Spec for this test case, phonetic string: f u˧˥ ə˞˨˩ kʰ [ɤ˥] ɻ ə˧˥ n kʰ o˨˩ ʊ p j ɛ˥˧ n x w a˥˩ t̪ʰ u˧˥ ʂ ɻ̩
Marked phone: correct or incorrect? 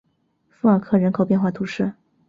incorrect